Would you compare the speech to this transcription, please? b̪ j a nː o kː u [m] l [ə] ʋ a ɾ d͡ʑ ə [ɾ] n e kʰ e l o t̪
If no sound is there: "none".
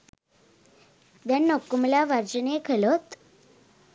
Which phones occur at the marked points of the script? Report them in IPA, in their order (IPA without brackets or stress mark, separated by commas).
m, a, none